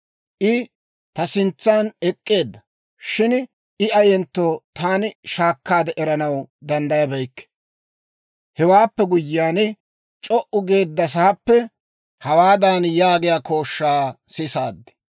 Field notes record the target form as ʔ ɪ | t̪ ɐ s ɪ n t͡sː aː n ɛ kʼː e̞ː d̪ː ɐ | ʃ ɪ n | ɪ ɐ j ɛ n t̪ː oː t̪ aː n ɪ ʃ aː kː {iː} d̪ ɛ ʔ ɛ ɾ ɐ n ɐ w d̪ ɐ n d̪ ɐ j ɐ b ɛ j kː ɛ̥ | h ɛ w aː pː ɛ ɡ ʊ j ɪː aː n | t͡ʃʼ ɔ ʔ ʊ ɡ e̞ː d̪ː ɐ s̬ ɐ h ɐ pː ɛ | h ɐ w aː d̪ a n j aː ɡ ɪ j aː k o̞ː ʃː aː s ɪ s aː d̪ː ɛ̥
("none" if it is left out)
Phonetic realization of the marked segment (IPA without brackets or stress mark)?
aː